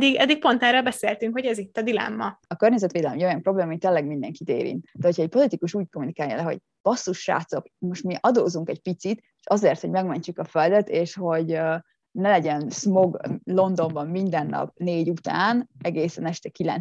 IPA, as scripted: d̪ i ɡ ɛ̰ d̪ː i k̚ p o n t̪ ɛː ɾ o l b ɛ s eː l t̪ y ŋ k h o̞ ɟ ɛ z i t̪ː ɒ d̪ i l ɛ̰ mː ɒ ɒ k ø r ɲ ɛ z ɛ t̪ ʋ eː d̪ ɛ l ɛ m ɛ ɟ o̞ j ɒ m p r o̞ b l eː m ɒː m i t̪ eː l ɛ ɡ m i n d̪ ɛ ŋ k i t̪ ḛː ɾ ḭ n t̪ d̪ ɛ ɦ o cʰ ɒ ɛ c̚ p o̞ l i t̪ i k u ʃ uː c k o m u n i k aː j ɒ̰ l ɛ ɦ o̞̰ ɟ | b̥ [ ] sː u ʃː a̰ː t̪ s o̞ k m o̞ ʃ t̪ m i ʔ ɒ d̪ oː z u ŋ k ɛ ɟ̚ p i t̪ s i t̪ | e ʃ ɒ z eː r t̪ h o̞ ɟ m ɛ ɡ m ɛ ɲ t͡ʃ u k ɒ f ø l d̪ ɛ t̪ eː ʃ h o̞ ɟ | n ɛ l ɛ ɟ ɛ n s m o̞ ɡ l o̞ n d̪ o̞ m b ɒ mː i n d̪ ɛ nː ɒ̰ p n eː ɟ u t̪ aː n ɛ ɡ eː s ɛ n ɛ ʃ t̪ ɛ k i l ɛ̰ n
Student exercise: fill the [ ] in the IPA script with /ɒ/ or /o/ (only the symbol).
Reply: ɒ